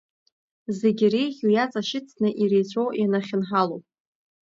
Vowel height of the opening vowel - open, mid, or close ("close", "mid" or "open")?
mid